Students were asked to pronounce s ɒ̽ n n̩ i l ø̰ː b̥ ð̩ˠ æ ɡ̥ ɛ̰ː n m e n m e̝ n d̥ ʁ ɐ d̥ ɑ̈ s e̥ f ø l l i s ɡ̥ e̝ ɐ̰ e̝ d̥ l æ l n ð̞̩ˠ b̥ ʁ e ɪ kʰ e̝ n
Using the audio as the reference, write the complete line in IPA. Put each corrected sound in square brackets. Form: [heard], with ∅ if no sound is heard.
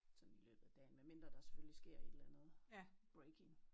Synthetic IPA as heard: s ɒ̽ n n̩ i l ø̰ː b̥ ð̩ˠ æ [d̥] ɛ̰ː n m e n m e̝ n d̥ ʁ ɐ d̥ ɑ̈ s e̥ f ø l l i s ɡ̥ e̝ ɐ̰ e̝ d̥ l æ [∅] n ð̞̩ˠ b̥ ʁ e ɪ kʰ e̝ [ŋ]